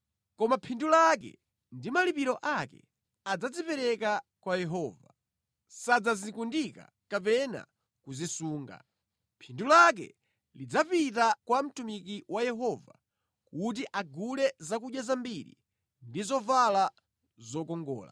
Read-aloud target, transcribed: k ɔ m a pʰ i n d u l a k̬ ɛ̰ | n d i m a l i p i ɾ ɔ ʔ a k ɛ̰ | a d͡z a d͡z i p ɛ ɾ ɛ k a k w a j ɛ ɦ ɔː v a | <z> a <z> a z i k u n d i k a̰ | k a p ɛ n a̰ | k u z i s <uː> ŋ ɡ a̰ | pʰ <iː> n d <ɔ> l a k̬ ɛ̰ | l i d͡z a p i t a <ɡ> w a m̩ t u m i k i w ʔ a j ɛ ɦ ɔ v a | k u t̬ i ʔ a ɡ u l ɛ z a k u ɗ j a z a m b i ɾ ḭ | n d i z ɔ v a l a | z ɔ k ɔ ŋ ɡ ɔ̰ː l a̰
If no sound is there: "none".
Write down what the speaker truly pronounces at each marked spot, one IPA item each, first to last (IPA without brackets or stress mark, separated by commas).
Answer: s, d͡z, uː, i, u, k